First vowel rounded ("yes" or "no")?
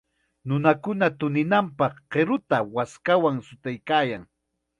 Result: yes